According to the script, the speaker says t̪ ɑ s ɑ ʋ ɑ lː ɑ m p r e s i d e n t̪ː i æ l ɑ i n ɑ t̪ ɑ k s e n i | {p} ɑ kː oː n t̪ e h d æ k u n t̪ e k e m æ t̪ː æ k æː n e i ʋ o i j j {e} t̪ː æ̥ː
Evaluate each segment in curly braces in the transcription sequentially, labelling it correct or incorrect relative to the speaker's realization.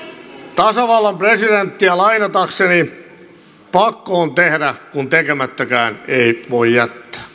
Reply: correct, incorrect: æ

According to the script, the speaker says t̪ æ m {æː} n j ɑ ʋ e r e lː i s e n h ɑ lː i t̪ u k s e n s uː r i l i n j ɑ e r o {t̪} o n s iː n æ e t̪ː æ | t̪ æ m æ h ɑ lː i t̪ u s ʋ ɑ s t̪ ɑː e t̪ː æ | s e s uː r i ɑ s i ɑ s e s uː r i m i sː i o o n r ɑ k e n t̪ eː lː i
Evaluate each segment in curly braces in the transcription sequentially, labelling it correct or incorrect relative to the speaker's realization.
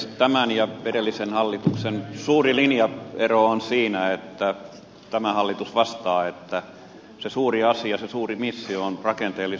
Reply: incorrect: æ, incorrect: none

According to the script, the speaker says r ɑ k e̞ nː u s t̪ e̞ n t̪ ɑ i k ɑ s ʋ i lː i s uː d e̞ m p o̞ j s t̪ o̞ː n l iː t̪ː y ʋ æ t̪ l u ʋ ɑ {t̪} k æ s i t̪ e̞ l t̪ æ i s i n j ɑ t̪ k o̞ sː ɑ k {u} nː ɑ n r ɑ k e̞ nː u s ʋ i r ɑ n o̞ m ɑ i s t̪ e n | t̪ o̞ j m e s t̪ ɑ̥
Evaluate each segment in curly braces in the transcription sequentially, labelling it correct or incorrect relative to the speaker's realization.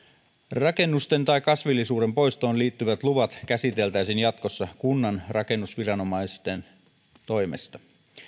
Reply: correct, correct

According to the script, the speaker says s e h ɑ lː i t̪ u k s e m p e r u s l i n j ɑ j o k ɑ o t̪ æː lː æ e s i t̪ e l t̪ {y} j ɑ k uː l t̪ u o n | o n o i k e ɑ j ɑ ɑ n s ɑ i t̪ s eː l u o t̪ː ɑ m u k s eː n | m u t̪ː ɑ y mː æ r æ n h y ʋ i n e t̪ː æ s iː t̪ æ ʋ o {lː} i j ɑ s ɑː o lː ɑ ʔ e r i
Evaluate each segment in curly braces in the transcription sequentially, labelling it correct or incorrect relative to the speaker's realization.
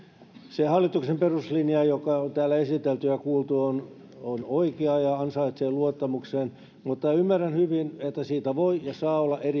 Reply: correct, incorrect: none

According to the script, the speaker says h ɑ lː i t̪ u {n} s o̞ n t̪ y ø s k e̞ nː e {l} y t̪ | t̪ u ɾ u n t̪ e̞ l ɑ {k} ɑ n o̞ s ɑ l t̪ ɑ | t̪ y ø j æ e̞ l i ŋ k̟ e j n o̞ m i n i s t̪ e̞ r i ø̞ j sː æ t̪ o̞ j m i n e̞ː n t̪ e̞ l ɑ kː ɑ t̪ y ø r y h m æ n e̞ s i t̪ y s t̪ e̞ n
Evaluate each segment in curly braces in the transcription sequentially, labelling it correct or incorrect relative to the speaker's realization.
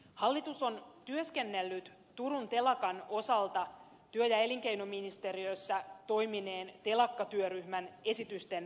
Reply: incorrect: none, incorrect: lː, correct

